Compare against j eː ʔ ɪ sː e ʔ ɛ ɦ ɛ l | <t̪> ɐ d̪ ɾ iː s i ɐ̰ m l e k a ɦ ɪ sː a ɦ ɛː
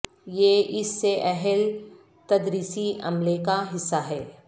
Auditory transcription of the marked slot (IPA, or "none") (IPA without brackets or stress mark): t̪